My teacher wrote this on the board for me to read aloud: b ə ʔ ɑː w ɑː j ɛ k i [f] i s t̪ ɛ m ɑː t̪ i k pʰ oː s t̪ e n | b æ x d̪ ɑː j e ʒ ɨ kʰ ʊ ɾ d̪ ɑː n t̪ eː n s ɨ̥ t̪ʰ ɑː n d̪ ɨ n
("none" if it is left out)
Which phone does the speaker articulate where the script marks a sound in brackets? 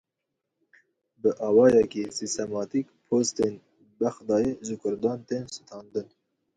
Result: s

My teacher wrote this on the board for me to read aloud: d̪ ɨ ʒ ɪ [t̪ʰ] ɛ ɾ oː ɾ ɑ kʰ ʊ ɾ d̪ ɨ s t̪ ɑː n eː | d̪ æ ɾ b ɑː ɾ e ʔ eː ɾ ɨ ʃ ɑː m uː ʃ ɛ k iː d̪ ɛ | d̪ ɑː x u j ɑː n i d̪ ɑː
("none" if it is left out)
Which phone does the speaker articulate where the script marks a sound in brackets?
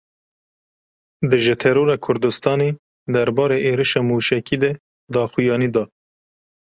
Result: t̪ʰ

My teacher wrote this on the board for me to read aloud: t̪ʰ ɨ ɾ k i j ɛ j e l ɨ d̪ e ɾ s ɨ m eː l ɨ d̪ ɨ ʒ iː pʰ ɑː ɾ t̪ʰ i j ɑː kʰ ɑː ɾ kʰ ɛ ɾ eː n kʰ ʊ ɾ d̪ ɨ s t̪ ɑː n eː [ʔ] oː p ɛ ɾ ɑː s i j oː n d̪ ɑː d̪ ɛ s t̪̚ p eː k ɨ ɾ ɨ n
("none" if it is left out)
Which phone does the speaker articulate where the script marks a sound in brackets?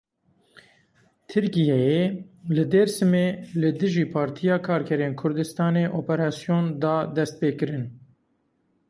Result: ʔ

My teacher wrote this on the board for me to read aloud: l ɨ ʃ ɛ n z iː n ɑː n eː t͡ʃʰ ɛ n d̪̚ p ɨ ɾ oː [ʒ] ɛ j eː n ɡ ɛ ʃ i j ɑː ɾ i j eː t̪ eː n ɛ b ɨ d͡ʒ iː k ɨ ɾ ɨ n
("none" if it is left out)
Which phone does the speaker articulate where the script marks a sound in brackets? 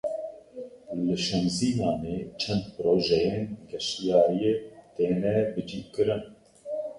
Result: ʒ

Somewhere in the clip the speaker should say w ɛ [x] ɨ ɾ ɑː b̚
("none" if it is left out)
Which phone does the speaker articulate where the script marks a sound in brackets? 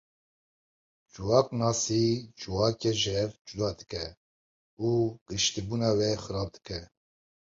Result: x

